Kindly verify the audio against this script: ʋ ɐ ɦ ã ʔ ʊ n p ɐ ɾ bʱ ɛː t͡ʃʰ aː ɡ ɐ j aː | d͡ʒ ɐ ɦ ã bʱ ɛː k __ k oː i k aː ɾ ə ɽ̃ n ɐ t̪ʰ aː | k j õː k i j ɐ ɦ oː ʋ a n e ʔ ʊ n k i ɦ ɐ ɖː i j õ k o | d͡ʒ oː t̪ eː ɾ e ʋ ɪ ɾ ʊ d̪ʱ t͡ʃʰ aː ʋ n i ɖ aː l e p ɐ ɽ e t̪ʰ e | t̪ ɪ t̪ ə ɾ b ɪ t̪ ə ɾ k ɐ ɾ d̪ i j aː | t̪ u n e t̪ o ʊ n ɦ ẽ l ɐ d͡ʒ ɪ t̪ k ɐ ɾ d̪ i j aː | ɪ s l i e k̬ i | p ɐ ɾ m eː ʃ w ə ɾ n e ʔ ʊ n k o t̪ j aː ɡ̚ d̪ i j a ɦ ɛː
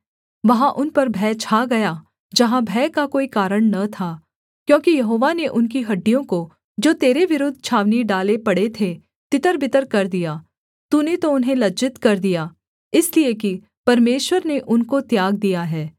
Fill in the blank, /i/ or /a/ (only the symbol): a